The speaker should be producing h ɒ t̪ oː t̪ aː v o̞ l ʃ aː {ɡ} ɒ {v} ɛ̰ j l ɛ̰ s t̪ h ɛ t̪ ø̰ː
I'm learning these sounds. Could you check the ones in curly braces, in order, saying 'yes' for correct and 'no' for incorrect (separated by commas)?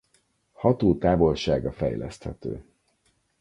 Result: yes, no